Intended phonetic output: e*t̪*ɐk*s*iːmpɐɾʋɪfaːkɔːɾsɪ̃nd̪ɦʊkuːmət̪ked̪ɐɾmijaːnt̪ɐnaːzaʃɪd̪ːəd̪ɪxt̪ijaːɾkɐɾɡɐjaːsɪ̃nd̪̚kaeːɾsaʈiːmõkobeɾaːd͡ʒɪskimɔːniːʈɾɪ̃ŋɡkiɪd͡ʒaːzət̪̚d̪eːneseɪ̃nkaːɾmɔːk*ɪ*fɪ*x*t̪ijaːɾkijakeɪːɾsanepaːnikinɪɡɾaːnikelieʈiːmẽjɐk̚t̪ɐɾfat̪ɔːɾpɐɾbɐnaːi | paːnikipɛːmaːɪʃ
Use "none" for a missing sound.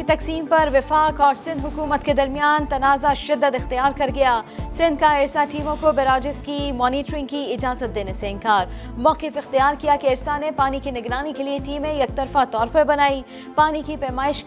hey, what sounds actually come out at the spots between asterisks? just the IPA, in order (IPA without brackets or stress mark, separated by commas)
t̪, s, ɪ, x